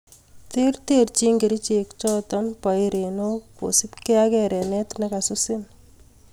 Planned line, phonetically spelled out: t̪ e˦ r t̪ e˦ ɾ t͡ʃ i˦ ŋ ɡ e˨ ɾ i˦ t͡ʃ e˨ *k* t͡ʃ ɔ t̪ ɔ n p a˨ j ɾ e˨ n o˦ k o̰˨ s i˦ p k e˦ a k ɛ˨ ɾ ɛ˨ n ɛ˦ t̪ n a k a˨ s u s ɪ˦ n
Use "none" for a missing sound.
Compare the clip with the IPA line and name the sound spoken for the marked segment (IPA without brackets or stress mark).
k